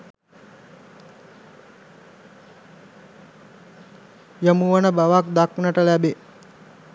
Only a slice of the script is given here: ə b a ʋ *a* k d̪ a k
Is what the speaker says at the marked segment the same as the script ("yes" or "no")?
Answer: yes